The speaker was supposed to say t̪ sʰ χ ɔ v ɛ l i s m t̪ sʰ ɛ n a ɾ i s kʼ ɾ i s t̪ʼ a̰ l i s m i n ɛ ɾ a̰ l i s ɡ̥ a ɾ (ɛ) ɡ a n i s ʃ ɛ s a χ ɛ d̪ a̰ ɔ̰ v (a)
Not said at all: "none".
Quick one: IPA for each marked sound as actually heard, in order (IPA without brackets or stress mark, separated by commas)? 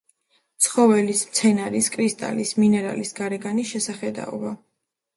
ɛ, a